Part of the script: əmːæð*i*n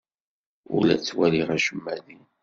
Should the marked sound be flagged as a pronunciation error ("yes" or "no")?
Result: no